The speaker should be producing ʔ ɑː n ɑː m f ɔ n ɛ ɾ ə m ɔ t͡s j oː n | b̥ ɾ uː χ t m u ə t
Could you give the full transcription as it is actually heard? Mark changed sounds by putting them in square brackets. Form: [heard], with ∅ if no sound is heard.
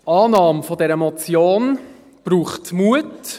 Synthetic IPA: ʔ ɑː n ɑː m f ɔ [d] ɛ ɾ ə m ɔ t͡s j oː n | b̥ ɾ uː χ t m u ə t